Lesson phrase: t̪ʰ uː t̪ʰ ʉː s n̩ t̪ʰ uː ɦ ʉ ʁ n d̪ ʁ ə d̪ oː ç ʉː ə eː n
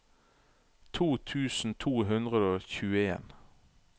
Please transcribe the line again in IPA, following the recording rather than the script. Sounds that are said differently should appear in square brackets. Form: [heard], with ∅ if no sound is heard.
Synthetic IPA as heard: t̪ʰ uː t̪ʰ ʉː s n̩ t̪ʰ uː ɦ ʉ [∅] n d̪ ʁ ə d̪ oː ç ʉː ə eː n